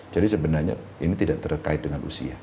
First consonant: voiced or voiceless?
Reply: voiced